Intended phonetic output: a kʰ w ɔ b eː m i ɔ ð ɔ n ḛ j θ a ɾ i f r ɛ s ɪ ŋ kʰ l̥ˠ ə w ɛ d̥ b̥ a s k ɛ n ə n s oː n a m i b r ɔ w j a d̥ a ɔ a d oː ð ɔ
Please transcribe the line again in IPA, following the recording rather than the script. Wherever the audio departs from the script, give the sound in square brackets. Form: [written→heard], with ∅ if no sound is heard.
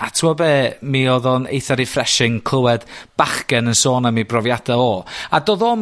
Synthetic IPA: a [kʰ→tʰ] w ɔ b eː m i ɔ ð ɔ n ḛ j θ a ɾ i f r ɛ [s→ʃ] ɪ ŋ kʰ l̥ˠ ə w ɛ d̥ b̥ a [s→χ] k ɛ n ə n s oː n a m i b r ɔ [w→v] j a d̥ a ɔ a d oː ð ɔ